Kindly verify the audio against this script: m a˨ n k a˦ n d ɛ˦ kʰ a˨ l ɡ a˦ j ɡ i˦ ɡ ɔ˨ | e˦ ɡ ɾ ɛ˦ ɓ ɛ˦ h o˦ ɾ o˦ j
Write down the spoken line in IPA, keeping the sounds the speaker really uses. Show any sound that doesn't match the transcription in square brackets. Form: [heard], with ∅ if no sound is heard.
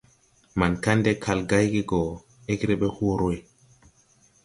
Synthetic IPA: m a˨ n k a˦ n d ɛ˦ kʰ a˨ l ɡ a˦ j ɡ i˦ ɡ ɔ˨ | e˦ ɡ ɾ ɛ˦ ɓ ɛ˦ h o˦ ɾ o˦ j